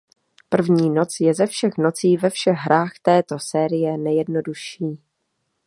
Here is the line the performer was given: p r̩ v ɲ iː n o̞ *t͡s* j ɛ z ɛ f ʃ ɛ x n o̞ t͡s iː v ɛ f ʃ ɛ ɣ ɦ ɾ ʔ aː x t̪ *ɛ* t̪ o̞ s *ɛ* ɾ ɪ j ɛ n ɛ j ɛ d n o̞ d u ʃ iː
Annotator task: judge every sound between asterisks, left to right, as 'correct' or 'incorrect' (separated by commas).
correct, incorrect, incorrect